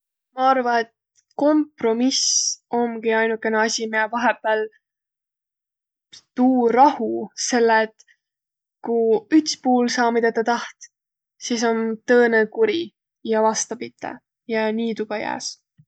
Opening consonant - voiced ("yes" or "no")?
yes